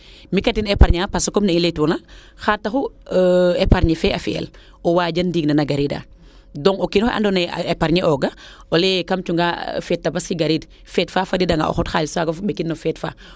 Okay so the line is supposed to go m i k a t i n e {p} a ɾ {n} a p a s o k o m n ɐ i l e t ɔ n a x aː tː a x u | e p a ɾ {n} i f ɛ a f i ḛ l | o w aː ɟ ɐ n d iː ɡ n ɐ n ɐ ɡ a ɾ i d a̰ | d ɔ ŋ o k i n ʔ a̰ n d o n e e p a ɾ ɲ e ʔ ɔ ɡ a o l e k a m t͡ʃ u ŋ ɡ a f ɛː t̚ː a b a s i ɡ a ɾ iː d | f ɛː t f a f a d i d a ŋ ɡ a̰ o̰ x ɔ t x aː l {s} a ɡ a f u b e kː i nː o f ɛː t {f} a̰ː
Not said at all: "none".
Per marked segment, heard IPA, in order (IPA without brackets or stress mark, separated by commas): p, ɲ, ɲ, s, f